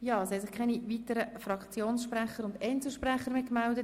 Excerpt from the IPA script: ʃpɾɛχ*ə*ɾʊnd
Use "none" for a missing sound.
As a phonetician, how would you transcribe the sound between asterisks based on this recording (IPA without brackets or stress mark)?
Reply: ə